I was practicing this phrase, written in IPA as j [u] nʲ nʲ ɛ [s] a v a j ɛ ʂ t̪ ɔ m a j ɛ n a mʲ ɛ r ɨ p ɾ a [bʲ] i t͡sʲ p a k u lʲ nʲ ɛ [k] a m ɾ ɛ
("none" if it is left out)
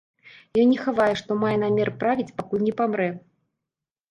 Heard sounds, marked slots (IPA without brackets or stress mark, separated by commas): ɔ, x, vʲ, p